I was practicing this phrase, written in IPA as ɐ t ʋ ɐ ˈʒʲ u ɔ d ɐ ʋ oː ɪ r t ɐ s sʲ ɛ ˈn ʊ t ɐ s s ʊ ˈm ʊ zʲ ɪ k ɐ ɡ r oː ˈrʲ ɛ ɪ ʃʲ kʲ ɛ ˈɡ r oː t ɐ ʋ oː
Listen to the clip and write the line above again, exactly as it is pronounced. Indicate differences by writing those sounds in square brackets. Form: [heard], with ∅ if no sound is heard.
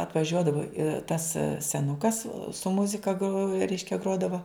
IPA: ɐ t ʋ ɐ ˈʒʲ u ɔ d ɐ ʋ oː ɪ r t ɐ s sʲ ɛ ˈn ʊ [k] ɐ s s ʊ ˈm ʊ zʲ ɪ k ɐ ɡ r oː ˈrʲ ɛ ɪ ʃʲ kʲ ɛ ˈɡ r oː [d] ɐ ʋ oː

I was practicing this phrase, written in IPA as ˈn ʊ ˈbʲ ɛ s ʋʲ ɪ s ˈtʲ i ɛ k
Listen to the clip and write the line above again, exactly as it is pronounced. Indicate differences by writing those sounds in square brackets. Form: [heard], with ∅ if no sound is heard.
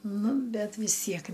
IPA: ˈn ʊ ˈbʲ ɛ [t] ʋʲ ɪ s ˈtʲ i ɛ k

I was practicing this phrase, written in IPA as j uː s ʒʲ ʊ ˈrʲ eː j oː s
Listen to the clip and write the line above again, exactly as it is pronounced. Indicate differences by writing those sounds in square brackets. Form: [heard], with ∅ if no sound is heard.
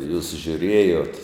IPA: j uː s ʒʲ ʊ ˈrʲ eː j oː [t]

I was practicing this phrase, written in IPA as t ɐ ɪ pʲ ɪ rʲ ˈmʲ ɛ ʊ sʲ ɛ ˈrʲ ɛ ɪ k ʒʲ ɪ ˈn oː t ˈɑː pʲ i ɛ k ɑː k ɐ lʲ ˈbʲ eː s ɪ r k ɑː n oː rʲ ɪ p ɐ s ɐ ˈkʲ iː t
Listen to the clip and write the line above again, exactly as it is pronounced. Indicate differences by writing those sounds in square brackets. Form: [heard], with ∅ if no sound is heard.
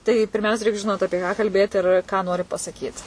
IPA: t ɐ ɪ pʲ ɪ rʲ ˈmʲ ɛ ʊ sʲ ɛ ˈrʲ ɛ ɪ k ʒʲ ɪ ˈn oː t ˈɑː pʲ i ɛ k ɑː k ɐ lʲ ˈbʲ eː [t] ɪ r k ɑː n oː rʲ ɪ p ɐ s ɐ ˈkʲ iː t

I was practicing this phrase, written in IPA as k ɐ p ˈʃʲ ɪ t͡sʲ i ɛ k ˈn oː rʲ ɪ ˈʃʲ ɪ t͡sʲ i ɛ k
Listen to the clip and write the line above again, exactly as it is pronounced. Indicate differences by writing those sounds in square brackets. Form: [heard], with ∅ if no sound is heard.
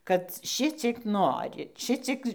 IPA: k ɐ [t] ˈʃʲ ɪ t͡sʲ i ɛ k ˈn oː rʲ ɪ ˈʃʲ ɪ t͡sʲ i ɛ k

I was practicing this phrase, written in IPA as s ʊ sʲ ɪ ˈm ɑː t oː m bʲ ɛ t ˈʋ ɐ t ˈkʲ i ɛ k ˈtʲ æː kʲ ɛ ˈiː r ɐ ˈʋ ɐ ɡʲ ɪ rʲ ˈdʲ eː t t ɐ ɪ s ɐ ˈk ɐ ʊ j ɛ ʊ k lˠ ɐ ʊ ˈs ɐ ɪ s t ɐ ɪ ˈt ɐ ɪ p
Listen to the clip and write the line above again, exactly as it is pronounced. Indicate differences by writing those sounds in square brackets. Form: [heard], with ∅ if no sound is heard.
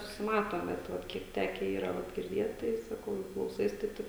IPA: s ʊ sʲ ɪ ˈm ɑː t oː m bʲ ɛ t ˈʋ ɐ t ˈkʲ i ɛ k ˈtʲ æː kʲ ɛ ˈiː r ɐ ˈʋ ɐ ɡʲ ɪ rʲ ˈdʲ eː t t ɐ ɪ s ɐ ˈk ɐ ʊ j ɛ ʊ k lˠ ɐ ʊ ˈs ɐ ɪ s t ɐ ɪ ˈt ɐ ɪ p

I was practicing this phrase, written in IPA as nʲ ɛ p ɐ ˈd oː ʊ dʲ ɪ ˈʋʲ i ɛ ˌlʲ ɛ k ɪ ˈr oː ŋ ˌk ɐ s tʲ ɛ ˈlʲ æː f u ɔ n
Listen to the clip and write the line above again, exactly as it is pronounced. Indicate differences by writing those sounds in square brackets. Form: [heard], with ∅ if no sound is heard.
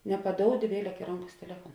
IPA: nʲ ɛ p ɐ ˈd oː ʊ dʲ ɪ ˈʋʲ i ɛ ˌlʲ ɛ k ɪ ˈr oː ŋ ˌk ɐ s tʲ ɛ ˈlʲ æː f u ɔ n

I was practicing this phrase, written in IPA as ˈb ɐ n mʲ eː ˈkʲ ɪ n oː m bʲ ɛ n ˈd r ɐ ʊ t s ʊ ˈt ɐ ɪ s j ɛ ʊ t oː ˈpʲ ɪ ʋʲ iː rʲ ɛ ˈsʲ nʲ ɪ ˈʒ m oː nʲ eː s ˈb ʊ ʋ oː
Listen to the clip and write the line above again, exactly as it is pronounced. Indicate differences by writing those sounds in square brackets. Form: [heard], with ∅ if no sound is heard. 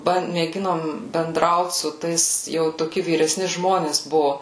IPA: ˈb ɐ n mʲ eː [ˈɡʲ] ɪ n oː m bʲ ɛ n ˈd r ɐ ʊ t s ʊ ˈt ɐ ɪ s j ɛ ʊ t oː [ˈkʲ] ɪ ʋʲ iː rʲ ɛ ˈsʲ nʲ ɪ ˈʒ m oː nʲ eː s ˈb ʊ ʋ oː

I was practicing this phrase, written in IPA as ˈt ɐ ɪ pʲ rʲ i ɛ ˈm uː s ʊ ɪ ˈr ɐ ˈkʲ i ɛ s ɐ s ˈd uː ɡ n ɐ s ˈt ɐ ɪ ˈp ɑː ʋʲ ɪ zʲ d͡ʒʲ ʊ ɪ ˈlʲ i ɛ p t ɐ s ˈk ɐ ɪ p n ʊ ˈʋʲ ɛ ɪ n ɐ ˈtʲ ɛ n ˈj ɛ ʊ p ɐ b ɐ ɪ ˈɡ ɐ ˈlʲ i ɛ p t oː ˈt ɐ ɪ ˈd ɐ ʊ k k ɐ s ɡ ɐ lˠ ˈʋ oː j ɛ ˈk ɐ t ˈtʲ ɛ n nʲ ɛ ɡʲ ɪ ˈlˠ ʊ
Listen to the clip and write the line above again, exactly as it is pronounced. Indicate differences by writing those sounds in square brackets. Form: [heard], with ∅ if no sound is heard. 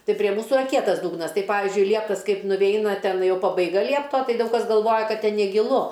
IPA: ˈt ɐ ɪ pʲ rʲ i ɛ ˈm uː s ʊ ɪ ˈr ɐ ˈkʲ i ɛ [t] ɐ s ˈd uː ɡ n ɐ s ˈt ɐ ɪ ˈp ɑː ʋʲ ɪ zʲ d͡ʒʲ ʊ ɪ ˈlʲ i ɛ p t ɐ s ˈk ɐ ɪ p n ʊ ˈʋʲ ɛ ɪ n ɐ ˈtʲ ɛ n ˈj ɛ ʊ p ɐ b ɐ ɪ ˈɡ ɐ ˈlʲ i ɛ p t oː ˈt ɐ ɪ ˈd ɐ ʊ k k ɐ s ɡ ɐ lˠ ˈʋ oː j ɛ ˈk ɐ t ˈtʲ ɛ n nʲ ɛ ɡʲ ɪ ˈlˠ ʊ

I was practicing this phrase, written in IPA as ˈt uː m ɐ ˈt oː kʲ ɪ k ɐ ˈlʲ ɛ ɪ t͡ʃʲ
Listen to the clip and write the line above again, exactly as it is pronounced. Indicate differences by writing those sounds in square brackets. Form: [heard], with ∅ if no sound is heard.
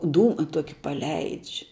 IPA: [ˈd] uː m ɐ ˈt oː kʲ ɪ [p] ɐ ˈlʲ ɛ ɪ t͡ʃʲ

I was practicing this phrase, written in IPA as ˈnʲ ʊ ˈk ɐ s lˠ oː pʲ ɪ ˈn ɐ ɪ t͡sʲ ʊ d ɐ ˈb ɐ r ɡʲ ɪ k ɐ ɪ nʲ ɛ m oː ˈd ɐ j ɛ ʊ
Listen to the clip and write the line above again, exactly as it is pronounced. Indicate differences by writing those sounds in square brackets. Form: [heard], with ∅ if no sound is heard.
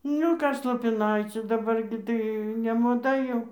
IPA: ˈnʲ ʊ ˈk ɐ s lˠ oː pʲ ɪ ˈn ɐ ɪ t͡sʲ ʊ d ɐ ˈb ɐ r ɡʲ ɪ [t] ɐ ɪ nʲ ɛ m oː ˈd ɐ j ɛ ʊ

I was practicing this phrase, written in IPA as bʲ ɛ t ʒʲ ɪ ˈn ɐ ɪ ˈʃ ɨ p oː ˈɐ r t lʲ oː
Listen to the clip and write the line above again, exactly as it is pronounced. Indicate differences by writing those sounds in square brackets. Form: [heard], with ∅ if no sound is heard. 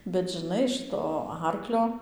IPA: bʲ ɛ t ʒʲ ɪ ˈn ɐ ɪ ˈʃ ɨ [t] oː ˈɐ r [k] lʲ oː

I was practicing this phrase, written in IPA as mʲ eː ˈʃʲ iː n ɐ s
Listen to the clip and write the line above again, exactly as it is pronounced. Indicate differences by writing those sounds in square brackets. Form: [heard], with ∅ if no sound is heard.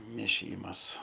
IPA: mʲ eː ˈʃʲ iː [m] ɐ s

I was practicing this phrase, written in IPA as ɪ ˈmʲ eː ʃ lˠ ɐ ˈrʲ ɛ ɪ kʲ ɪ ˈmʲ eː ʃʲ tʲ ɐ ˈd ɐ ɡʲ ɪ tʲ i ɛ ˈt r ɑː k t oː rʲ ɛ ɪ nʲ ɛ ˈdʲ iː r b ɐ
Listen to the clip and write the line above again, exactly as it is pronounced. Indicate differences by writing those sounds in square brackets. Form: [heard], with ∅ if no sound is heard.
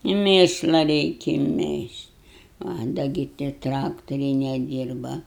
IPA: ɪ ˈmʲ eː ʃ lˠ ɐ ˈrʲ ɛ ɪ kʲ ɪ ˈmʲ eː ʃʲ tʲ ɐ ˈd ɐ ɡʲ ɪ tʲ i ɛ ˈt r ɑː k t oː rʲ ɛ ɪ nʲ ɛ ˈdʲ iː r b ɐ

